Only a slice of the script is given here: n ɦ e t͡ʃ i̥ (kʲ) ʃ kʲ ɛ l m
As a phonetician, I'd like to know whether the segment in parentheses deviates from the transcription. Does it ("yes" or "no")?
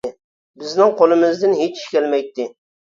yes